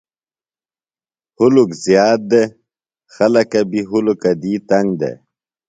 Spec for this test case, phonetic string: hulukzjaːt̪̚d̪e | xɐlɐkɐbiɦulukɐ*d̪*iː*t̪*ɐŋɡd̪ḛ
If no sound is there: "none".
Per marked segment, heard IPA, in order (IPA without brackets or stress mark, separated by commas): d̪, t̪